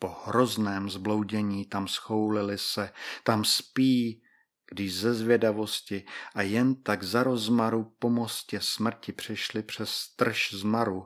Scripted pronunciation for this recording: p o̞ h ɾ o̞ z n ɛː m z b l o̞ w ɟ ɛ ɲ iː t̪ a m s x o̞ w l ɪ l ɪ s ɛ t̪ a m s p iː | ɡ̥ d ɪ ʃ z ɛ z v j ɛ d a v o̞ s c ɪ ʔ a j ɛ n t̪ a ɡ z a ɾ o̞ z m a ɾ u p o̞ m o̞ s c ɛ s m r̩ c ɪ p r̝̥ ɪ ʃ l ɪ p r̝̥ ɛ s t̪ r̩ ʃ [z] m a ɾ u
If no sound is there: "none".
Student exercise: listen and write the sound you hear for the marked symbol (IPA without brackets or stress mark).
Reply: z